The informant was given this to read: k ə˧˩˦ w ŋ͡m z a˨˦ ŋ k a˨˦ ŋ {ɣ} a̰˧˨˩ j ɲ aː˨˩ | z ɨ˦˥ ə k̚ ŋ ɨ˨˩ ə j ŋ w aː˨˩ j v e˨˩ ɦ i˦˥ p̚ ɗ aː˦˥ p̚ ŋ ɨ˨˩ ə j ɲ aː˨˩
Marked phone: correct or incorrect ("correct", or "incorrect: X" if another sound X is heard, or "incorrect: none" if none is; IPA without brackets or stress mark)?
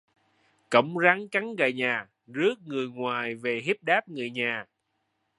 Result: correct